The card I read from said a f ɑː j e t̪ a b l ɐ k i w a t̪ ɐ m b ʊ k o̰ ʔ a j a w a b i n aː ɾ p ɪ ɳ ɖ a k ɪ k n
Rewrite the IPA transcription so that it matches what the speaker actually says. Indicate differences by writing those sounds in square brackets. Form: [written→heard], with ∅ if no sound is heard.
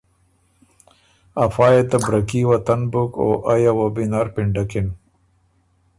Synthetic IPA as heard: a f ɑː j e t̪ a b [l→ɾ] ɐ k i w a t̪ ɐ [m→n] b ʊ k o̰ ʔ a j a w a b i n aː ɾ p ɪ ɳ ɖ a k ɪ [k→∅] n